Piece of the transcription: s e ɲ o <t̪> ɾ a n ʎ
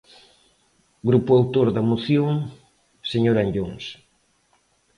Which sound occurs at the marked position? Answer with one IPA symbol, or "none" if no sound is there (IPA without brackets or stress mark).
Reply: none